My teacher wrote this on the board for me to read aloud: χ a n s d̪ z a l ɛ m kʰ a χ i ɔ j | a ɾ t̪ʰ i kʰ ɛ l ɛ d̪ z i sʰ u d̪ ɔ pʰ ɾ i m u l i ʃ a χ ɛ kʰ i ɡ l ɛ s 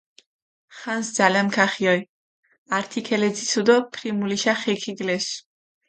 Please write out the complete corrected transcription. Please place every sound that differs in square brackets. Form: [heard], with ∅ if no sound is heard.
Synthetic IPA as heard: χ a n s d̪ z a l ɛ m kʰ a χ i ɔ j | a ɾ t̪ʰ i kʰ ɛ l ɛ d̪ z i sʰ u d̪ ɔ pʰ ɾ i m u l i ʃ a χ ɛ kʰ i ɡ l ɛ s